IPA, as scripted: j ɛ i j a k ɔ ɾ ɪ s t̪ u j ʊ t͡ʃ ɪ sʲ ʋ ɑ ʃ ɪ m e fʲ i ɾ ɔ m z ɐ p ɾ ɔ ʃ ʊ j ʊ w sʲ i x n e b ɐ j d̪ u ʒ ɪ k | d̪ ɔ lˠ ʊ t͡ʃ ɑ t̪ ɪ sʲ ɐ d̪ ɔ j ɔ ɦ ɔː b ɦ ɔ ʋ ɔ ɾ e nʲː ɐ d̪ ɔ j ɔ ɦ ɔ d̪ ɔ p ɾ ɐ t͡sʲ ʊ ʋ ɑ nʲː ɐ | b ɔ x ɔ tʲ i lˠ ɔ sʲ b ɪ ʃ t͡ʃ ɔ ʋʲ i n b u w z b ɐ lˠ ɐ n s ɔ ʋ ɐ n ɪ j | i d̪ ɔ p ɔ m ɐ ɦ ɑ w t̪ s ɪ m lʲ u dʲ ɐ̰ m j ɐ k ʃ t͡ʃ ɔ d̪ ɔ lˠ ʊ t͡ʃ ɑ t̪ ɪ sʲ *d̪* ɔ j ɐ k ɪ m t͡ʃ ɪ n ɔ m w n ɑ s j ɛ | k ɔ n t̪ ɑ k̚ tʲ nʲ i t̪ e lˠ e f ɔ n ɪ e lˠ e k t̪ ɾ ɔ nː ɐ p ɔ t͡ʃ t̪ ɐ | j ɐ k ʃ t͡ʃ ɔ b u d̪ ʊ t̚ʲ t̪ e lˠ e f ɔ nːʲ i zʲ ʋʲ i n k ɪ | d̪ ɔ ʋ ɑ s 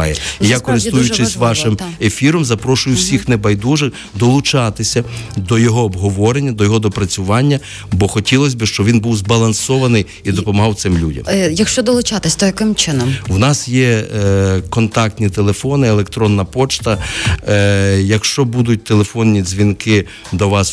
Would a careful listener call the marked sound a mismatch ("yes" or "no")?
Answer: no